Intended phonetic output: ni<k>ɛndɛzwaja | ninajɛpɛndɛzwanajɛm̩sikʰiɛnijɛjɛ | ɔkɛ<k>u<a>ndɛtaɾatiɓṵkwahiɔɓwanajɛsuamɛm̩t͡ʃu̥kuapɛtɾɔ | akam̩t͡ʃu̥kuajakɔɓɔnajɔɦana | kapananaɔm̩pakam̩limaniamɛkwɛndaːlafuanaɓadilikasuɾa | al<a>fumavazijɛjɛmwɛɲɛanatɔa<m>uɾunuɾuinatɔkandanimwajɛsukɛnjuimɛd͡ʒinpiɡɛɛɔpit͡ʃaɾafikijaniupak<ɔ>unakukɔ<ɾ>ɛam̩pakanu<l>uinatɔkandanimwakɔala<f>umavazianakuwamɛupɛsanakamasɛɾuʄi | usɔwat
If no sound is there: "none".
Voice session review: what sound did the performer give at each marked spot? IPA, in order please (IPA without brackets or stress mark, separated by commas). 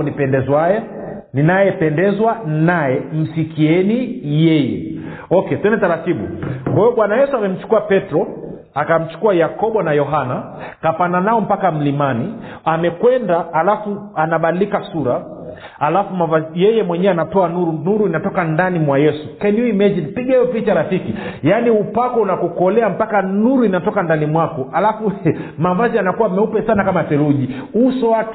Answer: p, t, ɛ, a, n, ɔ, l, ɾ, f